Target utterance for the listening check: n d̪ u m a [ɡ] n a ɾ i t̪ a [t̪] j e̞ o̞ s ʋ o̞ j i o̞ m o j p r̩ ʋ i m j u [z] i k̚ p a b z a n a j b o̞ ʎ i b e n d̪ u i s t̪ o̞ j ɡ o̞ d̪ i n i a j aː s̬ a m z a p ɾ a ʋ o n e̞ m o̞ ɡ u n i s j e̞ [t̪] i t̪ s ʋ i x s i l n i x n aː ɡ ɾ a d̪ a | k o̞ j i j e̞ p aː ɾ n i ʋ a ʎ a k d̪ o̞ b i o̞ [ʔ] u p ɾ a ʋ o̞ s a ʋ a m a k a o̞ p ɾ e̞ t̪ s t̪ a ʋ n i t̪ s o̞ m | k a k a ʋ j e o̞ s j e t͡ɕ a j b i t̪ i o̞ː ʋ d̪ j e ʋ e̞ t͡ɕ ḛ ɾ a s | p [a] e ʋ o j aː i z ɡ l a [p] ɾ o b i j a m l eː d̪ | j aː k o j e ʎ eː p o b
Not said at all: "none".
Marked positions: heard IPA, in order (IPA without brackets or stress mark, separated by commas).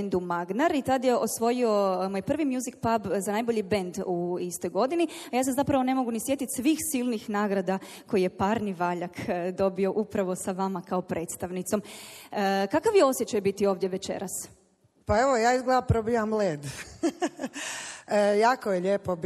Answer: ɡ, d̪, z, t̪, ʔ, a, p